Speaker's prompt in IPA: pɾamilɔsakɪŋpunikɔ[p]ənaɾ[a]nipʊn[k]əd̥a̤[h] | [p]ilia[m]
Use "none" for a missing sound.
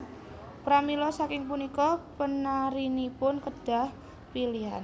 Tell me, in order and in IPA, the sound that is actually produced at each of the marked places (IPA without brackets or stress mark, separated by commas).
p, i, k, h, p, n